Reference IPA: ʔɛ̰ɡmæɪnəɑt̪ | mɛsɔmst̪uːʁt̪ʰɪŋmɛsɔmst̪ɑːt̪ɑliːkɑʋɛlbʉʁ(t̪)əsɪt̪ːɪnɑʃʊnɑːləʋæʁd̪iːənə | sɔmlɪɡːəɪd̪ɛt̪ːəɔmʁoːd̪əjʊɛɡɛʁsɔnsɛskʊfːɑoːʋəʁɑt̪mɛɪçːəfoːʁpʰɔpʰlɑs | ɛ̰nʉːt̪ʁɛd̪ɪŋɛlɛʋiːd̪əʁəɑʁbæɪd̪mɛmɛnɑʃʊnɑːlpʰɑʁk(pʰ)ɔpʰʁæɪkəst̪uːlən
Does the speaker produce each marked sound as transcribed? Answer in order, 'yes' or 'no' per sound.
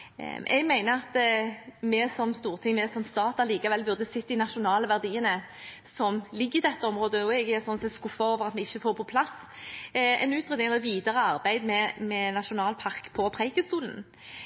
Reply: no, yes

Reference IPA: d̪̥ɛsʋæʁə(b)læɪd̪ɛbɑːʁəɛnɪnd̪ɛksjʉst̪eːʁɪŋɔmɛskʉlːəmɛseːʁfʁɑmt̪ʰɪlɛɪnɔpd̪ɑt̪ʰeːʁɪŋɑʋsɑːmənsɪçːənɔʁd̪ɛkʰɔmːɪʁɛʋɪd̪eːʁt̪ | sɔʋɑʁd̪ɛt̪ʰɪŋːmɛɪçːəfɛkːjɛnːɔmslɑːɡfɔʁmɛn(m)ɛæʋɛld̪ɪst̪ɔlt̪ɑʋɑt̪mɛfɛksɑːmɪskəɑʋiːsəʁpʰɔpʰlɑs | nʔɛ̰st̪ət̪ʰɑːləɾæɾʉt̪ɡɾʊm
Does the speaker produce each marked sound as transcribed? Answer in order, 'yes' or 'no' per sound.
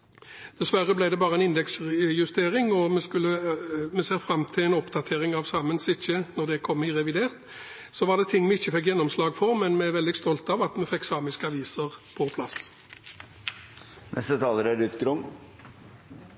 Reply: yes, yes

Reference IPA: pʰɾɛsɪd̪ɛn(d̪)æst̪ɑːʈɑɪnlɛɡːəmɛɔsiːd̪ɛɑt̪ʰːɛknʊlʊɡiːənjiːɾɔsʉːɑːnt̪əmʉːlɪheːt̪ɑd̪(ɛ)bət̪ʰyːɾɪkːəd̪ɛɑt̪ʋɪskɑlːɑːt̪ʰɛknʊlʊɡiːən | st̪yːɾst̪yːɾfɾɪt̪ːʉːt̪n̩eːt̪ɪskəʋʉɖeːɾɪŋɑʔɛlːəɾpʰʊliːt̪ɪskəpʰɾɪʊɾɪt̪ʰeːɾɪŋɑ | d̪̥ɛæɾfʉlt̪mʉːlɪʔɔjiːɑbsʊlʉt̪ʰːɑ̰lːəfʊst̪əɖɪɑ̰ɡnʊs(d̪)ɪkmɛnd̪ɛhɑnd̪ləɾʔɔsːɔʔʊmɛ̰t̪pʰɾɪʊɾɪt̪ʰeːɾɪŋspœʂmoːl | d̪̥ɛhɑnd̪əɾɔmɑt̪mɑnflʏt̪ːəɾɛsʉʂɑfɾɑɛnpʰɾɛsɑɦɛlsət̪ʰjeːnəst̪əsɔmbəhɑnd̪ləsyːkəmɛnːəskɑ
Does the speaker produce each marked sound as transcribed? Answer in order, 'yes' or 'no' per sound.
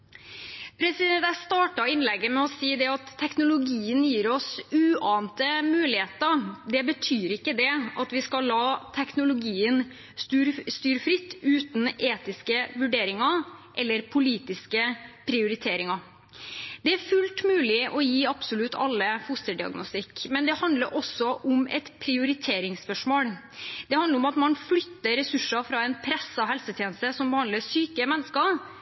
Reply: no, yes, no

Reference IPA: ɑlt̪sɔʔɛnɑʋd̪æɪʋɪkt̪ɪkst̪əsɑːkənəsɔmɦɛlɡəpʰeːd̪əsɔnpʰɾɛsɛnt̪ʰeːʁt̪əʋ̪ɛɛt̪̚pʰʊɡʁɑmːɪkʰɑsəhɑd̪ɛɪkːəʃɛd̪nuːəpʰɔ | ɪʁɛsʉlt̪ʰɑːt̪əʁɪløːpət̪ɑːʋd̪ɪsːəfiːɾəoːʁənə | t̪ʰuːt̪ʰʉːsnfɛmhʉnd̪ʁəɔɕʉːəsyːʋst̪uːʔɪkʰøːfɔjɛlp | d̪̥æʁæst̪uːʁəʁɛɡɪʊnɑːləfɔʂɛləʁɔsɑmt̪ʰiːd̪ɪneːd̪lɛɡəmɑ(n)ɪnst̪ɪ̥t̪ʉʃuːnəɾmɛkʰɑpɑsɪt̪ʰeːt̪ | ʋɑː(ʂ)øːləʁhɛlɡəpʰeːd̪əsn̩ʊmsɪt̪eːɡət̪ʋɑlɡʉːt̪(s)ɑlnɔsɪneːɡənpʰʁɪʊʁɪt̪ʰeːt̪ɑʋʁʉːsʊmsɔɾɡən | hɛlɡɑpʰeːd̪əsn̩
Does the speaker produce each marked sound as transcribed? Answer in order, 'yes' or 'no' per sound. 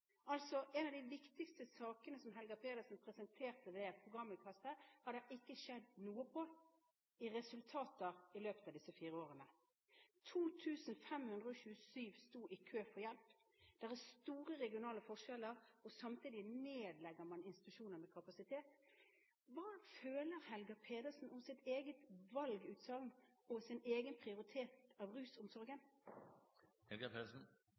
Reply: yes, no, yes

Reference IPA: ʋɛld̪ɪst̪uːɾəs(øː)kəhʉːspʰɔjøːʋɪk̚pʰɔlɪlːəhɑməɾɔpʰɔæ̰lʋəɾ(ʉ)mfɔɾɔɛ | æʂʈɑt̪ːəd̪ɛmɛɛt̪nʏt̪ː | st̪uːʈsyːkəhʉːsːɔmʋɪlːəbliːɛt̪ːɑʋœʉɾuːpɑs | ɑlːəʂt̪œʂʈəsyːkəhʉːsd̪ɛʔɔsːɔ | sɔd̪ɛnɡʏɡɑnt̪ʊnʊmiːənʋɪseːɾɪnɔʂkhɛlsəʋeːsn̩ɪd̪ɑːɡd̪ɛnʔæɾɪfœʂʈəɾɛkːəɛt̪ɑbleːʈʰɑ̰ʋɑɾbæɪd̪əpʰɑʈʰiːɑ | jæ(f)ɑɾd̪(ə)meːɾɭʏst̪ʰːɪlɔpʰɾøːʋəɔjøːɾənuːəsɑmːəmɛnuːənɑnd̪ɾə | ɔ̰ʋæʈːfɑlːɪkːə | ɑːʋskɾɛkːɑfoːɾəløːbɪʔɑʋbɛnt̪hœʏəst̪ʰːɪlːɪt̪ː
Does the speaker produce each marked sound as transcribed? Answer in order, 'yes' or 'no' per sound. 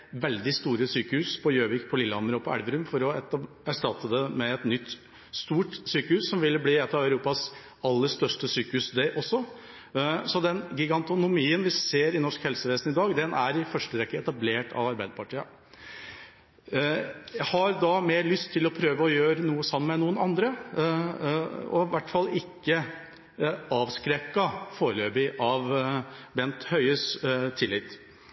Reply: no, yes, no, no

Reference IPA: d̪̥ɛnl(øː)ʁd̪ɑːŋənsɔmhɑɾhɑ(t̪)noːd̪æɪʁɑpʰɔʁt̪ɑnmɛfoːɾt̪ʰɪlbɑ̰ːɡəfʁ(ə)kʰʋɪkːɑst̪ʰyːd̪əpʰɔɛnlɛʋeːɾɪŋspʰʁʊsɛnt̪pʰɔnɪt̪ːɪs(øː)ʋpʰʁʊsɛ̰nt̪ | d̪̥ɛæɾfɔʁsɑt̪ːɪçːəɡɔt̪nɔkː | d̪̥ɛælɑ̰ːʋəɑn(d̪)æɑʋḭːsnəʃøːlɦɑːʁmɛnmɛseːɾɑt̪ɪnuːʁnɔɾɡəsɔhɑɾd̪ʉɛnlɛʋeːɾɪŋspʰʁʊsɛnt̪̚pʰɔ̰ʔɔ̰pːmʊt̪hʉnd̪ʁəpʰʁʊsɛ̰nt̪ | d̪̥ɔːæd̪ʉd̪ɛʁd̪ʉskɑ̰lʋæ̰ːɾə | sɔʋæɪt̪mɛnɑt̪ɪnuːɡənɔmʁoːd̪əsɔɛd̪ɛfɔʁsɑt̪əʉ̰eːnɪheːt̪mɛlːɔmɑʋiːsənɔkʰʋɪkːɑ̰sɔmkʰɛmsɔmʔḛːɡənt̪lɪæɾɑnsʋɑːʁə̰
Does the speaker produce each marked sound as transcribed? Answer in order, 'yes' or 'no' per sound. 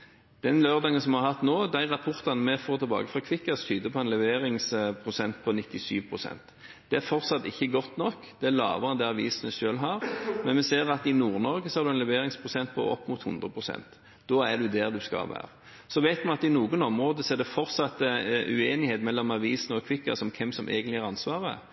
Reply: yes, yes, no, no, yes

